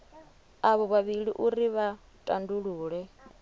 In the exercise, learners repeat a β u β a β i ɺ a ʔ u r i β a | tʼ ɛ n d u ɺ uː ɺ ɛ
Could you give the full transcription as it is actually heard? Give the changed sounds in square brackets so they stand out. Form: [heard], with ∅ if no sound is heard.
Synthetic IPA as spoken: a β [ɔ] β a β i ɺ [i] ʔ u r i β a | tʼ [a] n d u ɺ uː ɺ ɛ